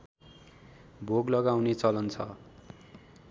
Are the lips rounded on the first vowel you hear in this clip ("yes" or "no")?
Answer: yes